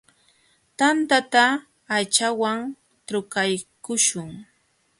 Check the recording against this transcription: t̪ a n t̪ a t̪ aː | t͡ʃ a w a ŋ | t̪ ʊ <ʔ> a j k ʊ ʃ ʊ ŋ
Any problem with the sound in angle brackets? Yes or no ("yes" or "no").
yes